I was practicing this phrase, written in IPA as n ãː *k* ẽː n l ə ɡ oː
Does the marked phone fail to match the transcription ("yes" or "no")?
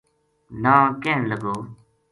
no